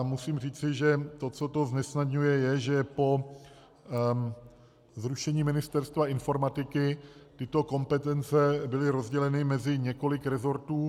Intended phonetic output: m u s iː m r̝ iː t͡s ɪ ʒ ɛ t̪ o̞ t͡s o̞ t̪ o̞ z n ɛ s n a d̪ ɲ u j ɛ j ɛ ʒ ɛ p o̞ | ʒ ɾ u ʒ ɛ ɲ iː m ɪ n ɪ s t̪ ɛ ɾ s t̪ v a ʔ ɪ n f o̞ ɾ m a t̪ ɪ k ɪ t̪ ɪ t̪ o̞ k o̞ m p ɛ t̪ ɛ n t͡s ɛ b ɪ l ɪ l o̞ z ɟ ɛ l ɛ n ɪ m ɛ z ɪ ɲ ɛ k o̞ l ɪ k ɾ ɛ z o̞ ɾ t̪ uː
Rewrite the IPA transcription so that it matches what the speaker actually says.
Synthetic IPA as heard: m u s iː m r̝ iː t͡s ɪ ʒ ɛ t̪ o̞ t͡s o̞ t̪ o̞ z n ɛ s n a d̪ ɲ u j ɛ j ɛ ʒ ɛ p o̞ | z ɾ u ʃ ɛ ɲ iː m ɪ n ɪ s t̪ ɛ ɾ s t̪ v a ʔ ɪ n f o̞ ɾ m a t̪ ɪ k ɪ t̪ ɪ t̪ o̞ k o̞ m p ɛ t̪ ɛ n t͡s ɛ b ɪ l ɪ ɾ o̞ z ɟ ɛ l ɛ n ɪ m ɛ z ɪ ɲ ɛ k o̞ l ɪ k ɾ ɛ z o̞ ɾ t̪ uː

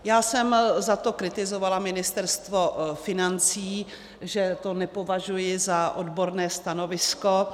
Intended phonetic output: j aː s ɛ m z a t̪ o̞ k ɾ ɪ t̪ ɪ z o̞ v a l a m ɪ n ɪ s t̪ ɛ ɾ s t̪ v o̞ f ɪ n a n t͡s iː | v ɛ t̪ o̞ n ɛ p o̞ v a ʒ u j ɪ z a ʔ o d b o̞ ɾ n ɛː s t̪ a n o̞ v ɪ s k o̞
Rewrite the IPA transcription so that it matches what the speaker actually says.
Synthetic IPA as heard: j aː s ɛ m z a t̪ o̞ k ɾ ɪ t̪ ɪ z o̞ v a l a m ɪ n ɪ s t̪ ɛ ɾ s t̪ v o̞ f ɪ n a n t͡s iː | ʒ ɛ t̪ o̞ n ɛ p o̞ v a ʒ u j ɪ z a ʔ o d b o̞ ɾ n ɛː s t̪ a n o̞ v ɪ s k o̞

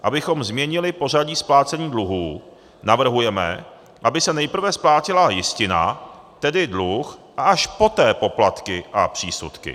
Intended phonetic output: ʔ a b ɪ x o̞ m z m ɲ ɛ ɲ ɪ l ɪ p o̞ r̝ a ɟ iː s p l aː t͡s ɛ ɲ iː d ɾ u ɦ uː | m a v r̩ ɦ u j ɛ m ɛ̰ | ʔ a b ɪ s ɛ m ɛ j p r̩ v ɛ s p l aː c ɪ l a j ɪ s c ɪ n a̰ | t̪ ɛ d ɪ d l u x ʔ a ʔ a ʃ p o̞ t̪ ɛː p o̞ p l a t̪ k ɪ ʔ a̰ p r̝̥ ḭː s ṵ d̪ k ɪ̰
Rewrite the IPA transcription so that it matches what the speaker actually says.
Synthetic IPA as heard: ʔ a b ɪ x o̞ m z m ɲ ɛ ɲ ɪ l ɪ p o̞ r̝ a ɟ iː s p l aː t͡s ɛ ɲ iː d l u ɦ uː | n a v r̩ ɦ u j ɛ m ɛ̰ | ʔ a b ɪ s ɛ n ɛ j p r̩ v ɛ s p l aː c ɪ l a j ɪ s c ɪ n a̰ | t̪ ɛ d ɪ d l u x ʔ a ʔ a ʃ p o̞ t̪ ɛː p o̞ p l a t̪ k ɪ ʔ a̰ p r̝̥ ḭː s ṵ t̪ k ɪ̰

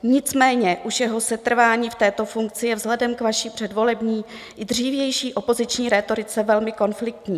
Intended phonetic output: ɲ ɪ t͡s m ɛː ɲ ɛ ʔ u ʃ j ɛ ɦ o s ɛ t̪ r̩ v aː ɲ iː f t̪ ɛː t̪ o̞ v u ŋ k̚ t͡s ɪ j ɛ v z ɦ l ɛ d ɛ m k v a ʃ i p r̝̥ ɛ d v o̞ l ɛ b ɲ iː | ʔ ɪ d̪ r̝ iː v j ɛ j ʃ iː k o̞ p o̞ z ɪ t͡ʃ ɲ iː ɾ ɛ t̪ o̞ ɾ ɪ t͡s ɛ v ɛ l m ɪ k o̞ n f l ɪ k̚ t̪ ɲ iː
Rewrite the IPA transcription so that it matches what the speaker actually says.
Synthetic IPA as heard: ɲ ɪ t͡s m ɛː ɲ ɛ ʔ u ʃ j ɛ ɦ o s ɛ t̪ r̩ v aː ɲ iː f t̪ ɛː t̪ o̞ f u ŋ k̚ t͡s ɪ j ɛ v z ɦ l ɛ d ɛ m k v a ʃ i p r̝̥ ɛ d v o̞ l ɛ b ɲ iː | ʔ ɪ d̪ r̝ iː v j ɛ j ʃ iː ʔ o̞ p o̞ z ɪ t͡ʃ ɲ iː ɾ ɛ t̪ o̞ ɾ ɪ t͡s ɛ v ɛ l m ɪ k o̞ n f l ɪ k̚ t̪ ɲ iː

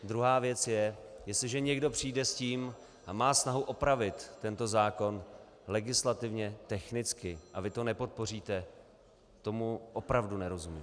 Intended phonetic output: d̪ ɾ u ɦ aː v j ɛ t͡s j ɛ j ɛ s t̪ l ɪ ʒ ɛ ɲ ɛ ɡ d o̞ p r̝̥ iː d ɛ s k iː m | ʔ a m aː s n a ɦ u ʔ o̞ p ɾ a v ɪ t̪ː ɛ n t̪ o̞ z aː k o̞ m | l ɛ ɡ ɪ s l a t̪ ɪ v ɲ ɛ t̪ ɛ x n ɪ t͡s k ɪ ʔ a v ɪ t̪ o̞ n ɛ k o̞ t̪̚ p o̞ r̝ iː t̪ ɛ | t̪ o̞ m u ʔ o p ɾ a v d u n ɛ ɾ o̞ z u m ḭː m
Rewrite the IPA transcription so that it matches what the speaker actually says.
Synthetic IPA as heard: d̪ ɾ u ɦ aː v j ɛ t͡s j ɛ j ɛ s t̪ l ɪ ʒ ɛ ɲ ɛ ɡ d o̞ p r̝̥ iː d ɛ s c iː m | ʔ a m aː s n a ɦ u ʔ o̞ p ɾ a v ɪ t̪ː ɛ n t̪ o̞ z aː k o̞ n | l ɛ ɡ ɪ s l a t̪ ɪ v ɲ ɛ t̪ ɛ x n ɪ t͡s k ɪ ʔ a v ɪ t̪ o̞ n ɛ p o̞ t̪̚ p o̞ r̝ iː t̪ ɛ | t̪ o̞ m u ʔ o p ɾ a v d u n ɛ ɾ o̞ z u m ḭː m

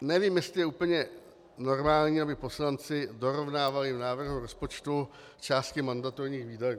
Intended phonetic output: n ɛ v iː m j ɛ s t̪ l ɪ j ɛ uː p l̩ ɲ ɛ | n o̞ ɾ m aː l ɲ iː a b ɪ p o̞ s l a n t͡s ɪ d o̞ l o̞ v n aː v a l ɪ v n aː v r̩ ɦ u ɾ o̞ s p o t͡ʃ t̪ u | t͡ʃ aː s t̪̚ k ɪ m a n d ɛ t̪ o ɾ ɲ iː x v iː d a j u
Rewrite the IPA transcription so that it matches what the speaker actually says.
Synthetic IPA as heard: n ɛ v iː m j ɛ s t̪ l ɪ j ɛ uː p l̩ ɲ ɛ | n o̞ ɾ m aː l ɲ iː a b ɪ p o̞ s l a n t͡s ɪ d o̞ ɾ o̞ v n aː v a l ɪ v n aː v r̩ ɦ u ɾ o̞ s p o t͡ʃ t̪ u | t͡ʃ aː s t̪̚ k ɪ m a n d a t̪ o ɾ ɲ iː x v iː d a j u

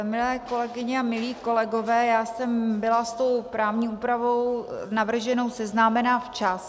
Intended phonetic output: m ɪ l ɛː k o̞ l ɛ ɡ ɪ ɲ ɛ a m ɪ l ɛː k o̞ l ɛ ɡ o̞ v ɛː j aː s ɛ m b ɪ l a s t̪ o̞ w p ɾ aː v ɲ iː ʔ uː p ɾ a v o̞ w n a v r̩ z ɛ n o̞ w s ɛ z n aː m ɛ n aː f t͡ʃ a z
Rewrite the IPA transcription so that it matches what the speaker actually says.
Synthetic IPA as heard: m ɪ l ɛː k o̞ l ɛ ɡ ɪ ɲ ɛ a m ɪ l iː k o̞ l ɛ ɡ o̞ v ɛː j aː s ɛ m b ɪ l a s t̪ o̞ w p ɾ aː v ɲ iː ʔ uː p ɾ a v o̞ w n a v r̩ ʒ ɛ n o̞ w s ɛ z n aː m ɛ n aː f t͡ʃ a s

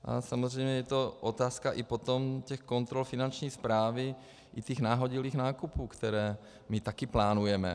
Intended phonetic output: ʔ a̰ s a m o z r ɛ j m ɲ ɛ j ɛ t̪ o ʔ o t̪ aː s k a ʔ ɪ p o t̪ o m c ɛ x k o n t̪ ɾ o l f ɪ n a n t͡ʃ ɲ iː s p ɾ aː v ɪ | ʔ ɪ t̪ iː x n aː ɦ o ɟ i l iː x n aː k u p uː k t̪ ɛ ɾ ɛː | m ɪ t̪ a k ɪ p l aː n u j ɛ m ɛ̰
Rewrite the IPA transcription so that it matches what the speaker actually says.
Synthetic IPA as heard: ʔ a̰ s a m o z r ɛ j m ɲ ɛ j ɛ t̪ o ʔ o t̪ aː s k a ʔ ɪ p o t̪ o m c ɛ x k o n t̪ ɾ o l f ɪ n a n t͡ʃ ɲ iː s p ɾ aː v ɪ | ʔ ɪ t̪ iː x n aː ɦ o ɟ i l iː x n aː k u p uː k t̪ ɛ ɾ ɛː | m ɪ t̪ a k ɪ p l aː n u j ɛ m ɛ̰

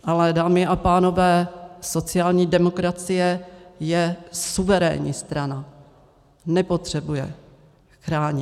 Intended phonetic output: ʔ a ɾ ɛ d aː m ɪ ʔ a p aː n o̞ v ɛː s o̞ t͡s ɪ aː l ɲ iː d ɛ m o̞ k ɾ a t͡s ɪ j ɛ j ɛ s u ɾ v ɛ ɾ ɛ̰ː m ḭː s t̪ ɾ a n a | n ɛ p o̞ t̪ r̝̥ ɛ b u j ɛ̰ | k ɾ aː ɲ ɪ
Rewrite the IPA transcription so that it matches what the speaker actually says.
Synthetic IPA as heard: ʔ a l ɛ d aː m ɪ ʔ a p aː n o̞ v ɛː s o̞ t͡s ɪ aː l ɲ iː d ɛ m o̞ k ɾ a t͡s ɪ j ɛ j ɛ s u v ɛ ɾ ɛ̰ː ɲ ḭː s t̪ ɾ a n a | n ɛ p o̞ t̪ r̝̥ ɛ b u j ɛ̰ | x ɾ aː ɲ ɪ

